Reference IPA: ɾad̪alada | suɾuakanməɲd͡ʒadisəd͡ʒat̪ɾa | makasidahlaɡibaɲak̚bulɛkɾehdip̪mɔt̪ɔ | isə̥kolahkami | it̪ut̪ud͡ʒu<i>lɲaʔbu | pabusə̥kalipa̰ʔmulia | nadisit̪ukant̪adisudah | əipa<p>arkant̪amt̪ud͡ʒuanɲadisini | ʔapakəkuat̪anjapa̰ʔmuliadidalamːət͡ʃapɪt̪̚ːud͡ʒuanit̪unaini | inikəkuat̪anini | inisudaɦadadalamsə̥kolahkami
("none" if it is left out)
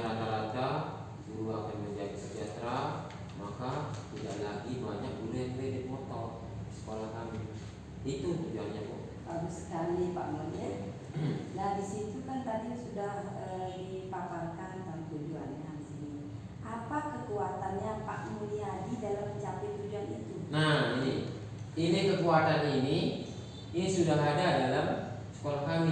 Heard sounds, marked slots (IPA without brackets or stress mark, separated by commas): a, p